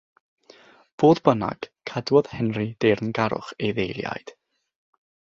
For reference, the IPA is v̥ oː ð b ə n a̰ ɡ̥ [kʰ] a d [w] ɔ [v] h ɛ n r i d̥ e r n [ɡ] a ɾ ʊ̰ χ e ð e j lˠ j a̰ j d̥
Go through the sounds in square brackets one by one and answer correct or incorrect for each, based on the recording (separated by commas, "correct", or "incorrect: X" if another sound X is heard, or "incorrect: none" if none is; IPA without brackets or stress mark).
correct, correct, incorrect: ð, correct